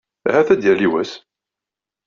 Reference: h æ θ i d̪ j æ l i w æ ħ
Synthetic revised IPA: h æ θ æ d̪ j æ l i w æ s